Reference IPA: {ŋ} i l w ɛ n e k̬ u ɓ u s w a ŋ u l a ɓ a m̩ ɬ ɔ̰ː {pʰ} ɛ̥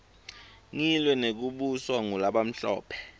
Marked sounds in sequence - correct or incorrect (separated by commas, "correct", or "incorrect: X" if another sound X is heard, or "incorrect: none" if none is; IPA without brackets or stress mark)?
correct, correct